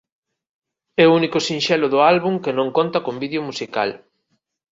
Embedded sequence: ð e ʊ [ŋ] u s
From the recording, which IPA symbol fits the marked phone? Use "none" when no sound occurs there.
m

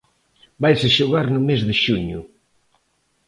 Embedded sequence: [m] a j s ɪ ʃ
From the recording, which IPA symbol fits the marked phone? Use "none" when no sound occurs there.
b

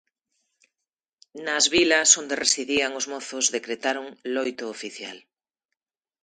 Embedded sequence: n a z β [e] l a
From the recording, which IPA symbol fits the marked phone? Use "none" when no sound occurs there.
i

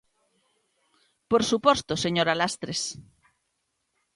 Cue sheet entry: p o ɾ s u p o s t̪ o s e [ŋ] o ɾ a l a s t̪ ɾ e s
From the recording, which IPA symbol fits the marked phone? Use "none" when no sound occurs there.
ɲ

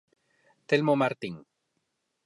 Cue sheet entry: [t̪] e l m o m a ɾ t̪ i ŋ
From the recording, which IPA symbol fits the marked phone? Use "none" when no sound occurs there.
t̪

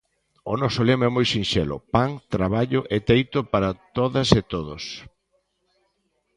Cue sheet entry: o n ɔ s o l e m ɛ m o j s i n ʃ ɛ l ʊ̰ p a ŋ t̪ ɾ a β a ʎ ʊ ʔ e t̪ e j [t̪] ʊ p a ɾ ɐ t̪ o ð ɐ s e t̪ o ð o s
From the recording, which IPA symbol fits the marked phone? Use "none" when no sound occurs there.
t̪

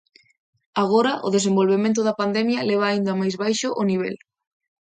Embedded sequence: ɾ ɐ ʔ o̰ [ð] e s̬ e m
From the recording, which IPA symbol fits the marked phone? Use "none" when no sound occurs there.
ð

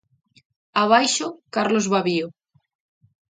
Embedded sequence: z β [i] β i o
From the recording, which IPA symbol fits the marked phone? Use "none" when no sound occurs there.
a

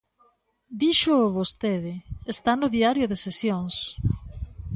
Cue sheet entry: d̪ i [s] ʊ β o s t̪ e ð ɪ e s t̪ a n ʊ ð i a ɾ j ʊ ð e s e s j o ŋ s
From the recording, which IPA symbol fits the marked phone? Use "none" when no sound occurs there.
ʃ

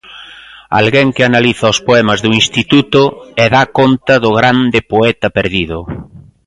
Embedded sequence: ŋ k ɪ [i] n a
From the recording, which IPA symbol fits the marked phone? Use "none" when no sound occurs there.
a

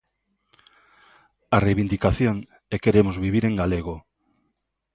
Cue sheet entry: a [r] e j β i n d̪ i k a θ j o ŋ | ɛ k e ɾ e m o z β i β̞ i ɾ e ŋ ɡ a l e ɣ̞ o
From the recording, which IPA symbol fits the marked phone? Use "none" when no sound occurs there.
r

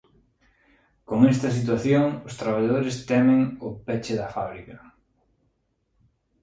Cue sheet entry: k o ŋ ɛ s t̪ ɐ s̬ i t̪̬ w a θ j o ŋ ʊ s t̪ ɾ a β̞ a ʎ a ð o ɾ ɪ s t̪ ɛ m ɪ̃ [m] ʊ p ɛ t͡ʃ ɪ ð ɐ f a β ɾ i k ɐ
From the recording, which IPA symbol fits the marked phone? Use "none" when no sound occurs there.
ŋ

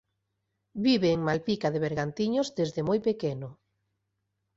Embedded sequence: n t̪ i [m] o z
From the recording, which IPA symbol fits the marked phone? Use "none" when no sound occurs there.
ɲ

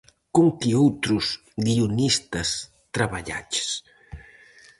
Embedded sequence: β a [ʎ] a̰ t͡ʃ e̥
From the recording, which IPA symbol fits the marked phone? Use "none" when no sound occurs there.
ʎ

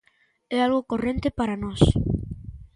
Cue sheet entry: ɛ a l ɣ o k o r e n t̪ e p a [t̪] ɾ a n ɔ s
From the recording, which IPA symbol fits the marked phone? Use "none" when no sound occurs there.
none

